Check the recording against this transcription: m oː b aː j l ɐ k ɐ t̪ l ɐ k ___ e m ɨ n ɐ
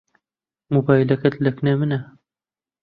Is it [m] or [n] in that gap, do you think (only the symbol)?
n